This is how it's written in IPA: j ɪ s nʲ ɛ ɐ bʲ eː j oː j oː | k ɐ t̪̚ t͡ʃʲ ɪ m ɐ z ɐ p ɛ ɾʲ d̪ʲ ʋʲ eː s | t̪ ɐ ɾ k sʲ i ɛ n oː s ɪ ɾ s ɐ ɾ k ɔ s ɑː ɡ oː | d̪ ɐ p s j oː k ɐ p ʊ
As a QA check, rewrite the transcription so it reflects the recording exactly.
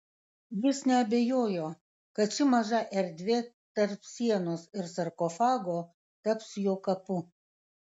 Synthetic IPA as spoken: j ɪ s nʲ ɛ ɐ bʲ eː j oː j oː | k ɐ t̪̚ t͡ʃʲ ɪ m ɐ ʒ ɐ ʔ ɛ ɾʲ d̪ʲ ʋʲ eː | t̪ ɐ ɾ p sʲ i ɛ n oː s ɪ ɾ s ɐ ɾ k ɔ f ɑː ɡ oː | t̪ ɐ p s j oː k ɐ p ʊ